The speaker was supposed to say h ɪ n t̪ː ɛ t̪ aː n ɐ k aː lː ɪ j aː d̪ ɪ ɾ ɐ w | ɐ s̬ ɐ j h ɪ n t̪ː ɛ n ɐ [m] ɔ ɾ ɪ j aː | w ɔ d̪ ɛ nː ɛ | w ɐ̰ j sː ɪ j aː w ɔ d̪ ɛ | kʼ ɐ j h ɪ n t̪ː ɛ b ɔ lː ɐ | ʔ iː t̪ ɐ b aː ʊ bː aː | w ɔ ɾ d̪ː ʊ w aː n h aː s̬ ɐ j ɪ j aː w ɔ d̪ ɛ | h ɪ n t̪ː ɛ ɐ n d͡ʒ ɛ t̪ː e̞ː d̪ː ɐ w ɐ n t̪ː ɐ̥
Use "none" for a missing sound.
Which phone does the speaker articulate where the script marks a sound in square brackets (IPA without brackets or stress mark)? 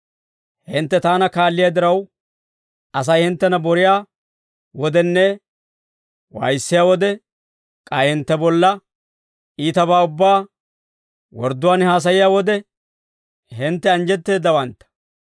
b